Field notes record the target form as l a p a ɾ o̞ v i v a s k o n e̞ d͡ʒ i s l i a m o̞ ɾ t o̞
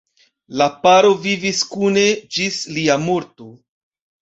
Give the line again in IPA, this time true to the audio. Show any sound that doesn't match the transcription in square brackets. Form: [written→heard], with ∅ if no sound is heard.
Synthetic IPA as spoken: l a p a ɾ o̞ v i v [a→i] s k [o→u] n e̞ d͡ʒ i s l i a m o̞ ɾ t o̞

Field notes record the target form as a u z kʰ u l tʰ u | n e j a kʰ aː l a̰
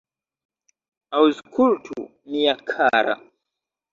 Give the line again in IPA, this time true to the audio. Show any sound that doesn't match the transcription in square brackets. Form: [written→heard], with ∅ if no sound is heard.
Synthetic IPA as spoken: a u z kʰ u l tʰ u | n [e→i] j a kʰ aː [l→ɾ] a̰

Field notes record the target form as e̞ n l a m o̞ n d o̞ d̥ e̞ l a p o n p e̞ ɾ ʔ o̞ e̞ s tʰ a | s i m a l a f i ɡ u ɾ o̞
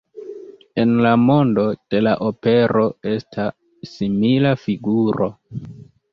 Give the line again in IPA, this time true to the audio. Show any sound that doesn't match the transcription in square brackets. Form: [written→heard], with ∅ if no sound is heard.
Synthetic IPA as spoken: e̞ n l a m o̞ n d o̞ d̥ e̞ l a [p→ʔ] o [n→∅] p e̞ ɾ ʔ o̞ e̞ s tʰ a | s i m [a→i] l a f i ɡ u ɾ o̞

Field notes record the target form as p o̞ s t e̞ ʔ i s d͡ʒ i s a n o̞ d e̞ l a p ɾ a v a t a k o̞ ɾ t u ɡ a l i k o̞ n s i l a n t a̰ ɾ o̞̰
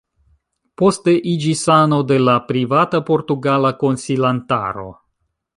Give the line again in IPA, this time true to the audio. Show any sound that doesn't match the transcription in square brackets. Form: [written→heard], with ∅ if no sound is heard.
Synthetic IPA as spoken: p o̞ s t e̞ ʔ i [s→∅] d͡ʒ i s a n o̞ d e̞ l a p ɾ [a→i] v a t a [k→p] o̞ ɾ t u ɡ a l [i→a] k o̞ n s i l a n t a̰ ɾ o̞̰

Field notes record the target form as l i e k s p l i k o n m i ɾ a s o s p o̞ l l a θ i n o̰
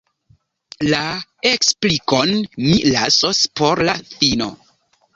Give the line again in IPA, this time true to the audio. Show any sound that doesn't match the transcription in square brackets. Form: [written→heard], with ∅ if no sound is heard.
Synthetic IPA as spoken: l [i→a] e k s p l i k o n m i [ɾ→l] a s o s p o̞ [l→ɾ] l a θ i n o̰

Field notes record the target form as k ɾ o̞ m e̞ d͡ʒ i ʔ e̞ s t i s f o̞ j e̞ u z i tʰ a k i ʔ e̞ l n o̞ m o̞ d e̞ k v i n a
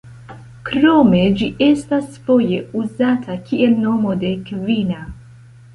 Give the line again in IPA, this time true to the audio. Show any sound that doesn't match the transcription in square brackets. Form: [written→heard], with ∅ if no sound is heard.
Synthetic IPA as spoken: k ɾ o̞ m e̞ d͡ʒ i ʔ e̞ s t [i→a] s f o̞ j e̞ u z [i→a] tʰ a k i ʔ e̞ l n o̞ m o̞ d e̞ k v i n a

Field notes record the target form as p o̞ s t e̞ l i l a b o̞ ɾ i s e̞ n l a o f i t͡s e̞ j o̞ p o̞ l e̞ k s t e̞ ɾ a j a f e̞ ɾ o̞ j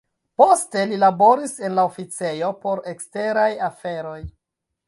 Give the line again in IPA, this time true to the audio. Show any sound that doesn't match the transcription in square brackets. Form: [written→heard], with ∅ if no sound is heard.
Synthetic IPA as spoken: p o̞ s t e̞ l i l a b o̞ ɾ i s e̞ n l a o f i t͡s e̞ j o̞ p o̞ [l→ɾ] e̞ k s t e̞ ɾ a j a f e̞ ɾ o̞ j

